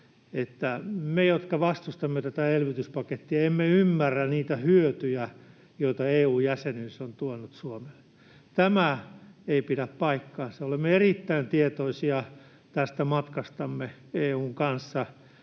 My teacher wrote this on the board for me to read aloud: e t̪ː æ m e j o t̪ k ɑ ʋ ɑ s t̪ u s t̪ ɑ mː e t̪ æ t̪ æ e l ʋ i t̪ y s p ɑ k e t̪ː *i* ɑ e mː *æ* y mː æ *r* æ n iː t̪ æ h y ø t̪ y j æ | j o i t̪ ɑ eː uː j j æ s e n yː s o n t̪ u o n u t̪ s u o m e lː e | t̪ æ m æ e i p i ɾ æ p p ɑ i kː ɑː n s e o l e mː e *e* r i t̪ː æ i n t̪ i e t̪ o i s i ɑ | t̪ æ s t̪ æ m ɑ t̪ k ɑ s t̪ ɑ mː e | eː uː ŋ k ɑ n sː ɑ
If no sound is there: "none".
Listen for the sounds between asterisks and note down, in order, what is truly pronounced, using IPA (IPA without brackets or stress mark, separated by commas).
i, e, rː, e